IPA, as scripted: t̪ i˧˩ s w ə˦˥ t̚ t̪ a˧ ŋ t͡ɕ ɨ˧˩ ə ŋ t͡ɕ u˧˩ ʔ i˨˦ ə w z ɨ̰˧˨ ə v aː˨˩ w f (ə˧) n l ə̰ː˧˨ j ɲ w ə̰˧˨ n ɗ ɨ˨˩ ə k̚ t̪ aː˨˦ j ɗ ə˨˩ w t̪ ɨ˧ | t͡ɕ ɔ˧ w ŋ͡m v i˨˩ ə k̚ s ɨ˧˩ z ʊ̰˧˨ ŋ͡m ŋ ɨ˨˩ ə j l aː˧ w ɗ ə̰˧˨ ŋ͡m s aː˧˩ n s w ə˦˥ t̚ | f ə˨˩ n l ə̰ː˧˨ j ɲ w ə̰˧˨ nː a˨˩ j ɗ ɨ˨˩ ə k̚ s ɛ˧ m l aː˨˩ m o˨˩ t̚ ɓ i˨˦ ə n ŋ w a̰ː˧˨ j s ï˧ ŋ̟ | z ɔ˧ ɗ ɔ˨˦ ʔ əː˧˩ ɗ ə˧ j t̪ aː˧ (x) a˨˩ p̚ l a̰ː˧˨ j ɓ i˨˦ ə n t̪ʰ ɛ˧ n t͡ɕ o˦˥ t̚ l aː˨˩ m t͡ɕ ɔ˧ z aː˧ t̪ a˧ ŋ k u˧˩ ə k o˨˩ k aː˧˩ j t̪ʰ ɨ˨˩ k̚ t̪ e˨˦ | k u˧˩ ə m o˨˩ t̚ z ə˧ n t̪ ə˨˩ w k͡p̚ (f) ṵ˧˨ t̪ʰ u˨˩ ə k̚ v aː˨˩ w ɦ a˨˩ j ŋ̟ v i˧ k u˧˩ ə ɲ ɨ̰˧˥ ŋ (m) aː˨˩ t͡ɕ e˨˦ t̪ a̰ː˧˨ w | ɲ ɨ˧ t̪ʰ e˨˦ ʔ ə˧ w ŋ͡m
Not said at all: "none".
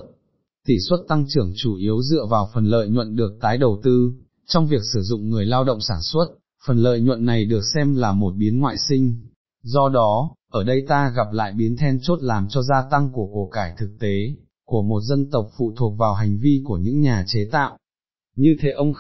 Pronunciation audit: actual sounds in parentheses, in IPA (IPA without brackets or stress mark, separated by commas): ə˨˩, ɣ, f, ɲ